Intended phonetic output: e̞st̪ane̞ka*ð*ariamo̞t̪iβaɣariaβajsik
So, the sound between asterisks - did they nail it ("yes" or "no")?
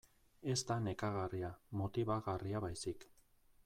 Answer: no